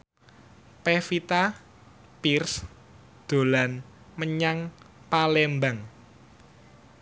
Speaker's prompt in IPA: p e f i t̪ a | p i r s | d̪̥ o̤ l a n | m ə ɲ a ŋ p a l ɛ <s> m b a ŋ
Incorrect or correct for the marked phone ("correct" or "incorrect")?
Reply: incorrect